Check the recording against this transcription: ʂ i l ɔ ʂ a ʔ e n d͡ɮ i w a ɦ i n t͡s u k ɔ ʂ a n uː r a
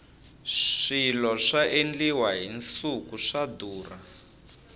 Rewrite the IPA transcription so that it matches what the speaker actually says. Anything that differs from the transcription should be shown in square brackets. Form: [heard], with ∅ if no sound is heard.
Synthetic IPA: ʂ i l ɔ ʂ a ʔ e n d͡ɮ i w a ɦ i n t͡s u k [u] ʂ a [d] uː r a